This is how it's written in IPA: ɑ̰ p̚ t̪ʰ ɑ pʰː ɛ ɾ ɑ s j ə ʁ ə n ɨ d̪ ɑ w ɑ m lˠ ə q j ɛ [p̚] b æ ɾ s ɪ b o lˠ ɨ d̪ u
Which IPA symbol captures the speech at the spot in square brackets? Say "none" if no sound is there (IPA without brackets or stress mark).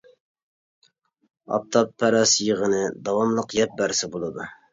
p̚